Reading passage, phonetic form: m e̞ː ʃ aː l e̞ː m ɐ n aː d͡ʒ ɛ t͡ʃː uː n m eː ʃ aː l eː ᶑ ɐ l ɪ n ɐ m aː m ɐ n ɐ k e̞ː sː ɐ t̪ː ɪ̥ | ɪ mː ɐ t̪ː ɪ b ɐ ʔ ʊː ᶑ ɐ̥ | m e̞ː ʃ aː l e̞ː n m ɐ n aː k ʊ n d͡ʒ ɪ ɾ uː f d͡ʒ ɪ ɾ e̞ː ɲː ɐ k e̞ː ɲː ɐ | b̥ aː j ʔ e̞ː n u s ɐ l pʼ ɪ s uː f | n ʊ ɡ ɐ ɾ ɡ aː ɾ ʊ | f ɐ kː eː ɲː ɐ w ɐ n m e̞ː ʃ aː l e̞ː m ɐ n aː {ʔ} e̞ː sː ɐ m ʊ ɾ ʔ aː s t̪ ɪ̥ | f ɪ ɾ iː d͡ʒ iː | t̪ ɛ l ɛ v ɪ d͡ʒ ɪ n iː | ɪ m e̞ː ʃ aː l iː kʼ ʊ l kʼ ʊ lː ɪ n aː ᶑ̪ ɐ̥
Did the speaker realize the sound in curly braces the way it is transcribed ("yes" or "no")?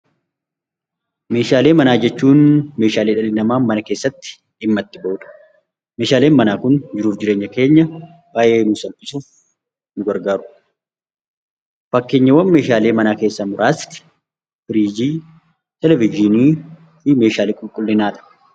no